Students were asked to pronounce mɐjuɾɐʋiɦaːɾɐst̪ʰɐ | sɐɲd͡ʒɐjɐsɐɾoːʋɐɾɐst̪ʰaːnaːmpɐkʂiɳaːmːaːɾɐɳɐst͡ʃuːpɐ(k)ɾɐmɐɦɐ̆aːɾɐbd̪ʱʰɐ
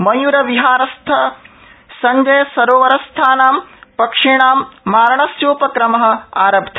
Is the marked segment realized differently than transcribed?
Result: no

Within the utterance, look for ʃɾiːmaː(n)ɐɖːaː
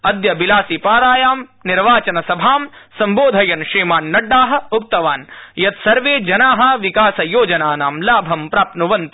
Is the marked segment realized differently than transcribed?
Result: yes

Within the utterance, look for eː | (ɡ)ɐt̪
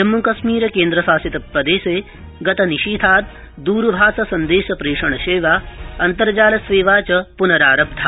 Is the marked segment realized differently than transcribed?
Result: no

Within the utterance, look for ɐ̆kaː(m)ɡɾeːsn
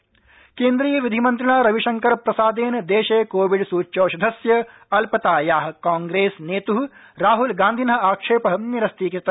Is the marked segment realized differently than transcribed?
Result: yes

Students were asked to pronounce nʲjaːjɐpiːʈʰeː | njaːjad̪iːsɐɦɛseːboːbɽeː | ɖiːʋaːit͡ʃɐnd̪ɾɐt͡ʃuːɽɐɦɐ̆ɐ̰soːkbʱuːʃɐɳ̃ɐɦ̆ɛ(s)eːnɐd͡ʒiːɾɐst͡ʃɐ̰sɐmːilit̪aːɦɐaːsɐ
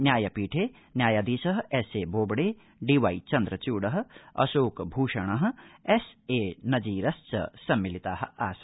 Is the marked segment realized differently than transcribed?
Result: no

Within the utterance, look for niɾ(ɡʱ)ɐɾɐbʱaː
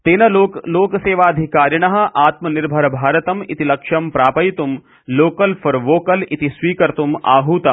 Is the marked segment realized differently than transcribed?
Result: yes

